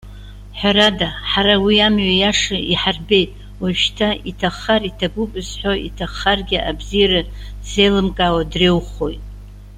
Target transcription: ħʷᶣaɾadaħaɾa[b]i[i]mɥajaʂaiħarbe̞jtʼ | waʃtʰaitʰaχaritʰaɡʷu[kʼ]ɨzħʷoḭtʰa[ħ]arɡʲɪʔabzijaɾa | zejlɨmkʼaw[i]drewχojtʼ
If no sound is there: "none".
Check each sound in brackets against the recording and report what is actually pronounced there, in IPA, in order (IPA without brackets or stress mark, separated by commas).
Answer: w, a, pʼ, χ, a